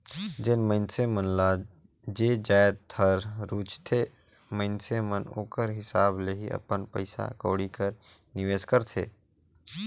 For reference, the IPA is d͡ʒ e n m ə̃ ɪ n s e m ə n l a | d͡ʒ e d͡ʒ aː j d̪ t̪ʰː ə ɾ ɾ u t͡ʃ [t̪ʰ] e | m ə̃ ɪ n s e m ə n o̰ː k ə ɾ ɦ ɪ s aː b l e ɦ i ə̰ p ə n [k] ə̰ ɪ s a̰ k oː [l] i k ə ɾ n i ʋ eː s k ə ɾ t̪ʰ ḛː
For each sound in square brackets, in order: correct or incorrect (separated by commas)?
correct, incorrect, incorrect